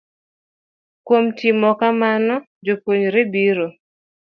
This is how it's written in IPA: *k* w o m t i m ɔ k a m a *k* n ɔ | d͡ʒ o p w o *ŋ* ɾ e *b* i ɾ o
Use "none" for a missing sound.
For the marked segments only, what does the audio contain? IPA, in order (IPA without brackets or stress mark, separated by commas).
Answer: k, none, ɲ, b